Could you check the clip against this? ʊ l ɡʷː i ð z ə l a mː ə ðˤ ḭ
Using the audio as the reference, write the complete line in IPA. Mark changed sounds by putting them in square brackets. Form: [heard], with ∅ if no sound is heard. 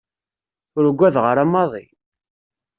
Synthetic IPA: ʊ [ɾ] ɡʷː [æ] ð [ʁ] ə [ɾ] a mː [ɑ] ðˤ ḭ